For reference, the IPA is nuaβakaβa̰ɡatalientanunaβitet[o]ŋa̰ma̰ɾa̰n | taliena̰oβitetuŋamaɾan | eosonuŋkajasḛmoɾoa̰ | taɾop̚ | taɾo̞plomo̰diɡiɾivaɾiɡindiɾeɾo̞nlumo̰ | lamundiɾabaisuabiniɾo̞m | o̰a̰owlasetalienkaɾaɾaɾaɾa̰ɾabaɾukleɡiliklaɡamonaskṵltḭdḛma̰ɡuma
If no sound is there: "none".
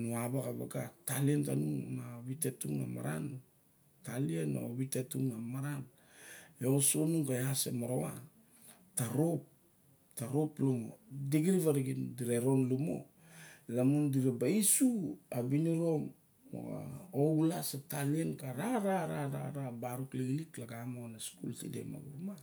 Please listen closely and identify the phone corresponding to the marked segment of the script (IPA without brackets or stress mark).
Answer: u